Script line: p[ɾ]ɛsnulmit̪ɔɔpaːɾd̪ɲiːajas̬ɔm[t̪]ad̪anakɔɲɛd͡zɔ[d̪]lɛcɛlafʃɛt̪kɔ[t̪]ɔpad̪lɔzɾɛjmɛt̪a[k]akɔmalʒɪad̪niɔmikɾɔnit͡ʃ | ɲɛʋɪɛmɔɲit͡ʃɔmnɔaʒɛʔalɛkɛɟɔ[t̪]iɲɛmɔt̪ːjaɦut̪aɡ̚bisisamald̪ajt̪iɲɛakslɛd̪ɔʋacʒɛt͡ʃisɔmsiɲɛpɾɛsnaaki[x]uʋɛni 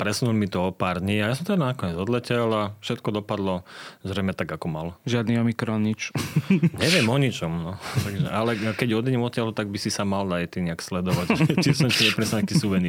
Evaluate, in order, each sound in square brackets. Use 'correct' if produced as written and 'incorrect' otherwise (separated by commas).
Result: correct, correct, correct, incorrect, incorrect, incorrect, incorrect